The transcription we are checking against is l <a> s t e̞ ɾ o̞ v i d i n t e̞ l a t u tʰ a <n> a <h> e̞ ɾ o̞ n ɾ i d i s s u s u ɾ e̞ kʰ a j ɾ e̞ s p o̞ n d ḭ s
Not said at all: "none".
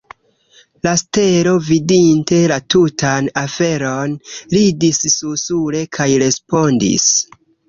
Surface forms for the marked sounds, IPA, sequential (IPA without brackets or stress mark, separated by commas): a, n, f